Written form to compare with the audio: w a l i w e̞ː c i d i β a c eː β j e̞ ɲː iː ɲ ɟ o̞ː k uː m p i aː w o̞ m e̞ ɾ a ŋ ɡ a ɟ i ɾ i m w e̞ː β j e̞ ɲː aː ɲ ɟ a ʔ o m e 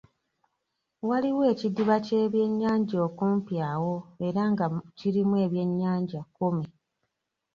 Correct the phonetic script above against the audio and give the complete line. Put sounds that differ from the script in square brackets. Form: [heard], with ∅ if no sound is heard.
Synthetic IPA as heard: w a l i w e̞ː c i d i β a c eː β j e̞ ɲː [aː] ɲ ɟ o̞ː k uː m p [j] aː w o̞ [∅] e̞ ɾ a ŋ ɡ a [c] i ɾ i m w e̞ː β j e̞ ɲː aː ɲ ɟ a [k] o m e